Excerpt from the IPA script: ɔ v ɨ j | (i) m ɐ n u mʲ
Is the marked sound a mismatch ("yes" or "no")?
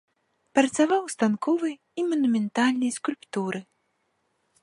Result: no